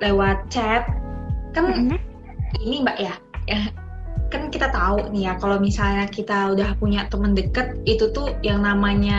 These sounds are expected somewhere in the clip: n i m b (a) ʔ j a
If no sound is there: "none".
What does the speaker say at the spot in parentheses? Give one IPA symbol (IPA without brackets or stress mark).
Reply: a